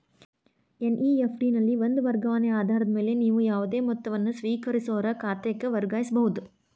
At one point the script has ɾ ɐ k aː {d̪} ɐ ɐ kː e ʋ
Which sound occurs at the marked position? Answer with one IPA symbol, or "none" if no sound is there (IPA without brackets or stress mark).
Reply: t̪